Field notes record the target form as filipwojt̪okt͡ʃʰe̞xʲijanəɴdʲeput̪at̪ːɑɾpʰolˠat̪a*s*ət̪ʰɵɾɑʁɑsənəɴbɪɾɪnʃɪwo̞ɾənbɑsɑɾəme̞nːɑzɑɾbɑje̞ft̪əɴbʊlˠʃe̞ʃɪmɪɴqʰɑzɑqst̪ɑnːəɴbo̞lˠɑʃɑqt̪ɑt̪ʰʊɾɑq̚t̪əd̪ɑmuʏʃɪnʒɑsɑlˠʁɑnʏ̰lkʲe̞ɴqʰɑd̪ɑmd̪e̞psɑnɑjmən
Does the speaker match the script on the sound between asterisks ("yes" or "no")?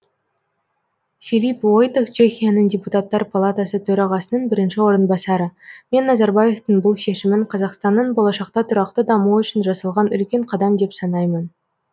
yes